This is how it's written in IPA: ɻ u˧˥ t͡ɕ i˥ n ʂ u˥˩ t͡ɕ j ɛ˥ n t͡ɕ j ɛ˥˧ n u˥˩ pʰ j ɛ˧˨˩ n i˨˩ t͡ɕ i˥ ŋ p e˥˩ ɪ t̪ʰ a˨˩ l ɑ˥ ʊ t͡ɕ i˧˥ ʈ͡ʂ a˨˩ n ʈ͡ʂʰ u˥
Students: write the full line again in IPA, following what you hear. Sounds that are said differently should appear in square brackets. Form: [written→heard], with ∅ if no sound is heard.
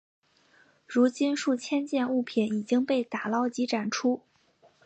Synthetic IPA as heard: ɻ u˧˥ t͡ɕ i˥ n ʂ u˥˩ [t͡ɕ→t͡ɕʰ] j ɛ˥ n t͡ɕ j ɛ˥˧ n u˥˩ pʰ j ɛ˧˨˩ n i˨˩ t͡ɕ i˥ ŋ p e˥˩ ɪ [t̪ʰ→t̪] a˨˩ l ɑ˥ ʊ t͡ɕ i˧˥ ʈ͡ʂ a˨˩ n ʈ͡ʂʰ u˥